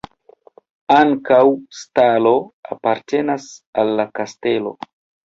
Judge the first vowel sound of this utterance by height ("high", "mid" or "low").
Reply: low